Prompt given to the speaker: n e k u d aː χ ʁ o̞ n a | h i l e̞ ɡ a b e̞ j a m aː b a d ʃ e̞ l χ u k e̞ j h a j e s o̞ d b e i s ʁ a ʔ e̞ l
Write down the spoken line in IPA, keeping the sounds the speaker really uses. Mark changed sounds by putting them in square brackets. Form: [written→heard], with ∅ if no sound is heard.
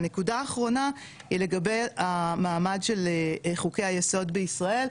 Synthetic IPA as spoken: n e k u d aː χ ʁ o̞ n a | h i l e̞ ɡ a b e̞ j a m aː [b→m] a d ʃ e̞ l χ u k e̞ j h a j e s o̞ d b e i s ʁ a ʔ e̞ l